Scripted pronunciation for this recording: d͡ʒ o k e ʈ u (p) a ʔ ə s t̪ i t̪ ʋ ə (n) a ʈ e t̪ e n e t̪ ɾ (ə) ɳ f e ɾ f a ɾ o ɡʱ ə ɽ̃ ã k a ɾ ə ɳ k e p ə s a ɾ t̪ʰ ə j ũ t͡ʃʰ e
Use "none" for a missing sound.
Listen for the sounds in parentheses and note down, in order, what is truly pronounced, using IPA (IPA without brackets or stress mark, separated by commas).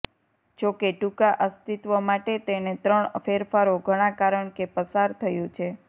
k, m, ə